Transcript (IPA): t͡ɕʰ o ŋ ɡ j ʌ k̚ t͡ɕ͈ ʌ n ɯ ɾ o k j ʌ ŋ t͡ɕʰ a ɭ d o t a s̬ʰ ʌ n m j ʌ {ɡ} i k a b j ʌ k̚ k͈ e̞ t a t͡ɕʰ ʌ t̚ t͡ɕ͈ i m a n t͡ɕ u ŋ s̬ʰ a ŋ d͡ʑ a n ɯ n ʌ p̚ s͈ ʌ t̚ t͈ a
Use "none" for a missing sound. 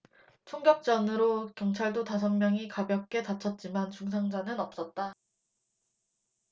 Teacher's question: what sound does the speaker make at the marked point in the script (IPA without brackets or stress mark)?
ŋ